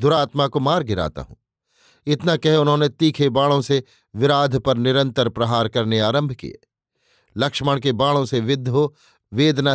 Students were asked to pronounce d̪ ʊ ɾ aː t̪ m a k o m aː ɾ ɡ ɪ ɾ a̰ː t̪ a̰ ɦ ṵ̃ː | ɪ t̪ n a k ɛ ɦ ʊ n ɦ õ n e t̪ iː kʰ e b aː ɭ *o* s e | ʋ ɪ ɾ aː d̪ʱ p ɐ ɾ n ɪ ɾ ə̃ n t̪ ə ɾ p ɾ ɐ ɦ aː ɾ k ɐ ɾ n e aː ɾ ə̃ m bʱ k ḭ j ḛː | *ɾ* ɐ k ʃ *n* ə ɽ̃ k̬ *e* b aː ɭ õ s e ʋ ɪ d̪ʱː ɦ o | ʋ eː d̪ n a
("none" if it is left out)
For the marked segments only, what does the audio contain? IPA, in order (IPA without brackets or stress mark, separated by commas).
õ, l, m, e